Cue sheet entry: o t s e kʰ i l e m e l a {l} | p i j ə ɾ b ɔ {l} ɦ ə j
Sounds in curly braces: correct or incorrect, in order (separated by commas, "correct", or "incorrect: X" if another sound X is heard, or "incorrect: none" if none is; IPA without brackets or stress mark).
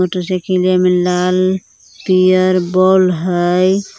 correct, correct